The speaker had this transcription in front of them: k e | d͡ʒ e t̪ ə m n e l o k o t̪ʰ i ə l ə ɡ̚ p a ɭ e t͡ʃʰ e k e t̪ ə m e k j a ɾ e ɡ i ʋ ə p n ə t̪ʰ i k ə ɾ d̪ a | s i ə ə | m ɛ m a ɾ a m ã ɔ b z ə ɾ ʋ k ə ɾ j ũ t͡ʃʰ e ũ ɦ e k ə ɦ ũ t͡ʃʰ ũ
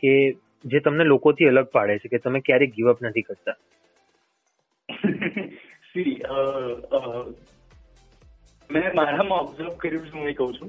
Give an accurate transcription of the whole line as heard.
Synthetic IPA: k e | d͡ʒ e t̪ ə m n e l o k o t̪ʰ i ə l ə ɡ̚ p a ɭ e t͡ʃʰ e k e t̪ ə m e k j a ɾ e ɡ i ʋ ə p n ə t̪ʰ i k ə ɾ t̪ a | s i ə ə | m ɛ m a ɾ a m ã ɔ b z ə ɾ ʋ k ə ɾ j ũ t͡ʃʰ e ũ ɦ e k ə ɦ ũ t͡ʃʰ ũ